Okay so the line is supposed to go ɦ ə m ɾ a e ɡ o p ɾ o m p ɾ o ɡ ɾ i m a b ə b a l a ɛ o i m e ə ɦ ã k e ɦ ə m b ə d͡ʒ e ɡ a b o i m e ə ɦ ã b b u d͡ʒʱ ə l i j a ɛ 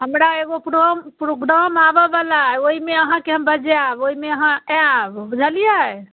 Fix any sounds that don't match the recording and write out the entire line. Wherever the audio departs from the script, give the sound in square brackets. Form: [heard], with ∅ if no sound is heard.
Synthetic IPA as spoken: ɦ ə m ɾ a e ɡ o p ɾ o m p ɾ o ɡ ɾ [a] m a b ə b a l a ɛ o i m e ə ɦ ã k e ɦ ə m b ə d͡ʒ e [∅] a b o i m e ə ɦ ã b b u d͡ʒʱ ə l i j a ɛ